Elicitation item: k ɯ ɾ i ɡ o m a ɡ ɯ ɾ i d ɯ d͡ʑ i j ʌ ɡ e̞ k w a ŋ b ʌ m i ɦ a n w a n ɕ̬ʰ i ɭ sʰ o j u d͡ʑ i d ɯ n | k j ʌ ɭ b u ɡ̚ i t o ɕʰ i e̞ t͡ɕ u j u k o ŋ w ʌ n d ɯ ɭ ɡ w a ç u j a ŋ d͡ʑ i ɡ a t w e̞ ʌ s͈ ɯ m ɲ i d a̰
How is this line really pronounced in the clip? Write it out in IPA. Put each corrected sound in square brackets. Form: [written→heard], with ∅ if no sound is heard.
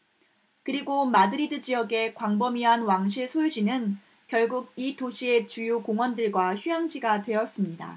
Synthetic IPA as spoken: k ɯ ɾ i ɡ o m a [ɡ→d] ɯ ɾ i d ɯ d͡ʑ i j ʌ ɡ e̞ k w a ŋ b ʌ m i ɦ a n w a [n→ŋ] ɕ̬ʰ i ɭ sʰ o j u d͡ʑ i [d→n] ɯ n | k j ʌ ɭ [b→ɡ] u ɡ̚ i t o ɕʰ i e̞ t͡ɕ u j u k o ŋ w ʌ n d ɯ ɭ ɡ w a ç u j a ŋ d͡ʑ i ɡ a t w e̞ ʌ s͈ ɯ m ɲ i d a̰